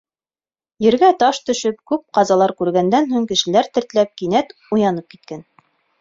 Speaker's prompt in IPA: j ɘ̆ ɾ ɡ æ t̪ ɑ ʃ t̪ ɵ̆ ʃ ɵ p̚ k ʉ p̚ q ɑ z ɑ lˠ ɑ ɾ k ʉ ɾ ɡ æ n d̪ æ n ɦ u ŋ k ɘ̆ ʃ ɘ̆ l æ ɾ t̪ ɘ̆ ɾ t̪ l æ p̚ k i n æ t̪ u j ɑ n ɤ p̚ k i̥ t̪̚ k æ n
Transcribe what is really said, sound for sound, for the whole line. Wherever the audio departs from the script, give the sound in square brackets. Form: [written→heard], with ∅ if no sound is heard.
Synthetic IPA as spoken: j ɘ̆ ɾ ɡ æ t̪ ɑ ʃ t̪ ɵ̆ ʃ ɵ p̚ k ʉ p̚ q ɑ z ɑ lˠ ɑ ɾ k ʉ ɾ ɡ æ n d̪ æ n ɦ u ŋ k ɘ̆ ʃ ɘ̆ l æ ɾ t̪ ɘ̆ ɾ t̪ l æ p̚ k i n æ t̪ u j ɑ n ɤ p̚ k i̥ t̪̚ k æ n